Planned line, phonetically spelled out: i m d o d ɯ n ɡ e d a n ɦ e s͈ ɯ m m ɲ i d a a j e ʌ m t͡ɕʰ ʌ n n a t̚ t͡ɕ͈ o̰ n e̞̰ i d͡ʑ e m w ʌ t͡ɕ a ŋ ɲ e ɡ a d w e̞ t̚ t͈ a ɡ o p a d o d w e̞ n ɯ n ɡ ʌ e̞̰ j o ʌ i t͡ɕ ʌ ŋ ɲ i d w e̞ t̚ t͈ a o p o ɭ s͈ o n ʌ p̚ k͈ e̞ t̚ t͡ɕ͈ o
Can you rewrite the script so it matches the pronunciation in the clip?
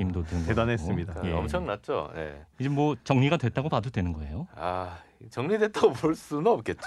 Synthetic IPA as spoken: i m d o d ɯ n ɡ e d a n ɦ e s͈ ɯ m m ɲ i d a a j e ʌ m t͡ɕʰ ʌ ŋ n a t̚ t͡ɕ͈ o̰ n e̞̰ i d͡ʑ e m w ʌ t͡ɕ ʌ ŋ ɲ i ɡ a d w e̞ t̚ t͈ a ɡ o p a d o d w e̞ n ɯ n ɡ ʌ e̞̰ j o a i t͡ɕ ʌ ŋ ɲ i d w e̞ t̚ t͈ a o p o ɭ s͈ u n ʌ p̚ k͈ e̞ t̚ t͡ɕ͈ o